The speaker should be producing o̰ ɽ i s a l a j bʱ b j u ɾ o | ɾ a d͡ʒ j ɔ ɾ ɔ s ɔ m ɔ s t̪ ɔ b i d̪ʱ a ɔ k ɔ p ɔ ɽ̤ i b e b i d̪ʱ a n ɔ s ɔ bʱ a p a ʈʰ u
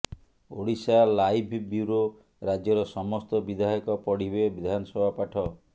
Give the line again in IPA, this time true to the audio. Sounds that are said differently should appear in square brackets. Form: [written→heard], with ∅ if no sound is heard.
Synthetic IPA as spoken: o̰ ɽ i s a l a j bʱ b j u ɾ o | ɾ a d͡ʒ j ɔ ɾ ɔ s ɔ m ɔ s t̪ ɔ b i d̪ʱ a ɔ k ɔ p ɔ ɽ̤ i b e b i d̪ʱ a n ɔ s ɔ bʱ a p a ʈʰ [u→ɔ]